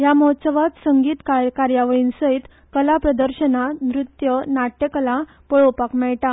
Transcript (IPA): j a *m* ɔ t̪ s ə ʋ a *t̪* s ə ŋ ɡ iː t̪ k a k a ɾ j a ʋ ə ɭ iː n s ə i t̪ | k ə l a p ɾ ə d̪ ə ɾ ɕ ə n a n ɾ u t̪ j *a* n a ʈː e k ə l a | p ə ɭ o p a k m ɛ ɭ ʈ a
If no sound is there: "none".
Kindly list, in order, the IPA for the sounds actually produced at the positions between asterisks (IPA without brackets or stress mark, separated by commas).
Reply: m, t̪, ə